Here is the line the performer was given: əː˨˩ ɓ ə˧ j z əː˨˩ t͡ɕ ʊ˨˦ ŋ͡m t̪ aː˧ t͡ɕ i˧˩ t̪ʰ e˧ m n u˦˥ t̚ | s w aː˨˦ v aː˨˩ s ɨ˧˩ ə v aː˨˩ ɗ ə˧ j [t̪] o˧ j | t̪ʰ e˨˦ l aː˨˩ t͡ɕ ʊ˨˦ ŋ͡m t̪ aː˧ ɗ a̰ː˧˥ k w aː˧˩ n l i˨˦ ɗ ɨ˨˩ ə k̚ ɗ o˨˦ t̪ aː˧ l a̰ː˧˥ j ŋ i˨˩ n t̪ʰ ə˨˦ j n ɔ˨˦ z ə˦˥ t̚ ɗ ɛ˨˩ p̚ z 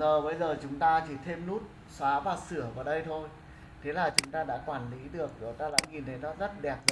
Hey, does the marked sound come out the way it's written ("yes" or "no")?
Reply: no